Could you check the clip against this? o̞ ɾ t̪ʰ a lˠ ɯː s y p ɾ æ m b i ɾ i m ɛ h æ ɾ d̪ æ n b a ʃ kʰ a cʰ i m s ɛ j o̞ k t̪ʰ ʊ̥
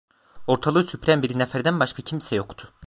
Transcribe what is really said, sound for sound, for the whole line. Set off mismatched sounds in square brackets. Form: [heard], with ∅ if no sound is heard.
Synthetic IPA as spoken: o̞ ɾ t̪ʰ a lˠ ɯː s y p ɾ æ m b i ɾ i [n] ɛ [f] æ ɾ d̪ æ n b a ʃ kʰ a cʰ i m s ɛ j o̞ k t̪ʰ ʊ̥